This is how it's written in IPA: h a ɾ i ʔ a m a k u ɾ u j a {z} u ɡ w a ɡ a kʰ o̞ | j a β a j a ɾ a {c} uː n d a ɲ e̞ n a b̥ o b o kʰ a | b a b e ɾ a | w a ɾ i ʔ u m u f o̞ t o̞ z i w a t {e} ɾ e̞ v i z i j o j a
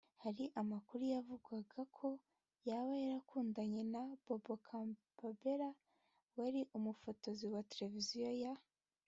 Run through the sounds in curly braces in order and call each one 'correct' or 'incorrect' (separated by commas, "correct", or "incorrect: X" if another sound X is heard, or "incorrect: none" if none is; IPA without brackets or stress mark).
incorrect: v, incorrect: k, correct